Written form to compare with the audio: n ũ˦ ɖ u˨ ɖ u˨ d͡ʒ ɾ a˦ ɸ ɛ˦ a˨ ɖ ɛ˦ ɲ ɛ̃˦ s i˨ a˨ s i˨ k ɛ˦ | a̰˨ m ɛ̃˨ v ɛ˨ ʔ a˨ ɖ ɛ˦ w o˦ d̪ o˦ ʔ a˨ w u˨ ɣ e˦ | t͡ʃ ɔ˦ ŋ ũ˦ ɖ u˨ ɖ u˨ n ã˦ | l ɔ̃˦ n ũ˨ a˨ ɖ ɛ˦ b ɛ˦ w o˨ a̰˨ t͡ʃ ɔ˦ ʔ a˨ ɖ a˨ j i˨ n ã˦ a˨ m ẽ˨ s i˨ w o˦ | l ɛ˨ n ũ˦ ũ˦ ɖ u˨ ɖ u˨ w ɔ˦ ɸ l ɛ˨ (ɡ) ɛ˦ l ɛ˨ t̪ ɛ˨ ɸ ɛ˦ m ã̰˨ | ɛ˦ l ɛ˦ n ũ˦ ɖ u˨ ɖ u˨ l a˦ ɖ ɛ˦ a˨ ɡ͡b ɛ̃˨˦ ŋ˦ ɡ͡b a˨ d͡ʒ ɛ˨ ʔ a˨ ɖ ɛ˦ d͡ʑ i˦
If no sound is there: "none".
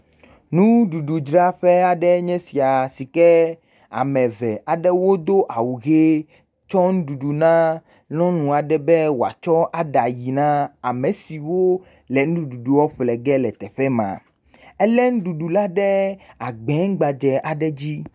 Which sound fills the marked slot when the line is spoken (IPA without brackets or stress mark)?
ɡ